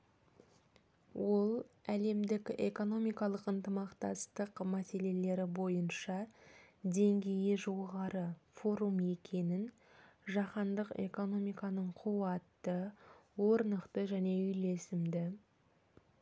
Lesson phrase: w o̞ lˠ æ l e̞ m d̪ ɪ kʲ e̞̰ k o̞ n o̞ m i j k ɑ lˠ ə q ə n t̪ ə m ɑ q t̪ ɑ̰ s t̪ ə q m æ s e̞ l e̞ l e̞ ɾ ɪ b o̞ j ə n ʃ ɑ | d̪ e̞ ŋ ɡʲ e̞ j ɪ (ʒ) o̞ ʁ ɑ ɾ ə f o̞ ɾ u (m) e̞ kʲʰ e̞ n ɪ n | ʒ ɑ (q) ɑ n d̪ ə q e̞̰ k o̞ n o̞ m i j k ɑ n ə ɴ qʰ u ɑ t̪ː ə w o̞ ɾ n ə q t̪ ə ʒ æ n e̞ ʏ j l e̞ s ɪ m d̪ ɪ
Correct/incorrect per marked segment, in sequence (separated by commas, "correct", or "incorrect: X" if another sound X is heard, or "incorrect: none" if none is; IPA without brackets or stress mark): correct, correct, correct